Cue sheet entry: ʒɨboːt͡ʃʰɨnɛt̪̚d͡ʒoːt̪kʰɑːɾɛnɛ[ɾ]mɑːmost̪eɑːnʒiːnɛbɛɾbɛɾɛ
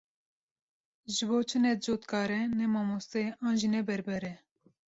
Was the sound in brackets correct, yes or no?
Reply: no